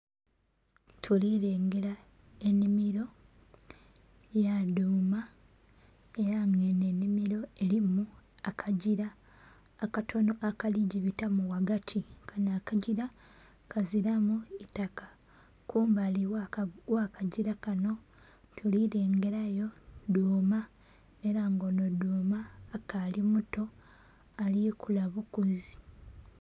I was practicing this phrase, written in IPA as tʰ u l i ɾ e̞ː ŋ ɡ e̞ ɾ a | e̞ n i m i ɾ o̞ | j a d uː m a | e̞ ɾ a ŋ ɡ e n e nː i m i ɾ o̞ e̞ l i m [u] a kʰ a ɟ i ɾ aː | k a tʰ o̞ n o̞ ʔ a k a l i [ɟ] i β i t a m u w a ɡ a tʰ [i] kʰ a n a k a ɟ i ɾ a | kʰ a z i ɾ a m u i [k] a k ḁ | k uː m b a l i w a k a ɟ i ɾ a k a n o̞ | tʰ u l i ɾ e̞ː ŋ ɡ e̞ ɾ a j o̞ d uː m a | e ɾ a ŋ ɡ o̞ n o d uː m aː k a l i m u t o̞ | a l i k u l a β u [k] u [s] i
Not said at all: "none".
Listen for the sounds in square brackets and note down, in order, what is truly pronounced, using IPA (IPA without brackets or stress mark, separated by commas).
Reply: u, ɟ, i, t, k, z